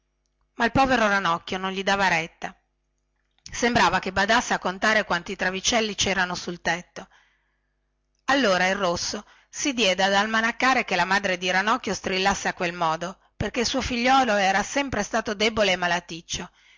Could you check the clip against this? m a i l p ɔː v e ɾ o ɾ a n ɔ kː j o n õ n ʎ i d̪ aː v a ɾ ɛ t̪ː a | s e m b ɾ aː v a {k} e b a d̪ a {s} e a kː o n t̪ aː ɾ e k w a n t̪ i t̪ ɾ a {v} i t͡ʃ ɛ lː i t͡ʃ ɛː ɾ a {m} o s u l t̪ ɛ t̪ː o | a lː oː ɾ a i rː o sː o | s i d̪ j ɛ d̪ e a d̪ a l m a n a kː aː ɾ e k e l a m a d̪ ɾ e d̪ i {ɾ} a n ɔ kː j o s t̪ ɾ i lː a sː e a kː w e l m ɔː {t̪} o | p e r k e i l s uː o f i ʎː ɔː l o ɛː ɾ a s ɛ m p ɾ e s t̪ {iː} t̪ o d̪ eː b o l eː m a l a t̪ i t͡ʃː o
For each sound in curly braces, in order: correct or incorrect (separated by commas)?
correct, incorrect, correct, incorrect, correct, incorrect, incorrect